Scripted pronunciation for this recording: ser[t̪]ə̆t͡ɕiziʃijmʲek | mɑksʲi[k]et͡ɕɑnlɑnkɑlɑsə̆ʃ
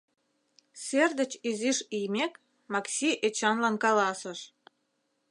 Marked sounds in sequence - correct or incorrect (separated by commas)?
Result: incorrect, incorrect